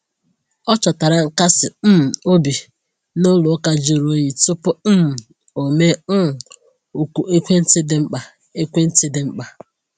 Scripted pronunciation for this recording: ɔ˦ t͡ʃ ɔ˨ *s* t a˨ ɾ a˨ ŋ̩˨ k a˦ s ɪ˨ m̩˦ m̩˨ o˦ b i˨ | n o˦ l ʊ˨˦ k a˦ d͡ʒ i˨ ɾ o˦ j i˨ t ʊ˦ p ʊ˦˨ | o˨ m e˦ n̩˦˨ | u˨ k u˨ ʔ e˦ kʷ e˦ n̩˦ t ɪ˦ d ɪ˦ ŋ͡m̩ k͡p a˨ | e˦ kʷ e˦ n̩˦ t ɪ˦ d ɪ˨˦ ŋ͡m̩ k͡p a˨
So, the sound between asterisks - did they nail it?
no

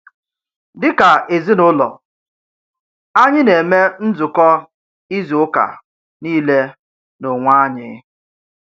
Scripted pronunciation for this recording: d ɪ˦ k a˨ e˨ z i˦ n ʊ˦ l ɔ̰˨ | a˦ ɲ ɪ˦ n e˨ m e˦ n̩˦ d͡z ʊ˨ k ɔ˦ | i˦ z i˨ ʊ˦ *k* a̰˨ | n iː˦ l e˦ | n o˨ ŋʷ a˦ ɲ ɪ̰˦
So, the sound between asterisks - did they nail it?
yes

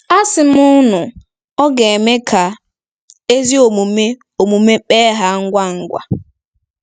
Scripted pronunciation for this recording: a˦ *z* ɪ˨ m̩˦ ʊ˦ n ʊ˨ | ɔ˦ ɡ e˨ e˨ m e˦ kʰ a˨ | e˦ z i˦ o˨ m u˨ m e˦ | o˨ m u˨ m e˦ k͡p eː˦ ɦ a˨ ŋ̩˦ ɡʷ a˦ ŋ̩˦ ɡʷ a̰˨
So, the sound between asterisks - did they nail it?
no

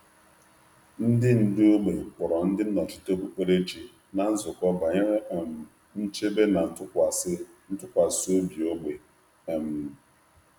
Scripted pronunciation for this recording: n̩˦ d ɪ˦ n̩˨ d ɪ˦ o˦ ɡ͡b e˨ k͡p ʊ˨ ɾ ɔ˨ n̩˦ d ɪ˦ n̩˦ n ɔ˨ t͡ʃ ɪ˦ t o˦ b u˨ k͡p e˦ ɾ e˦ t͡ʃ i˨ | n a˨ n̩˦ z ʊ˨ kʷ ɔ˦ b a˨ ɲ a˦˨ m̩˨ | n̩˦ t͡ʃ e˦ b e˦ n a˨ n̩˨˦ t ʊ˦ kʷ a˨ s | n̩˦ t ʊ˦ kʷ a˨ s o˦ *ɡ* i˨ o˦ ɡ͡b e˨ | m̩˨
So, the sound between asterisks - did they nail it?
no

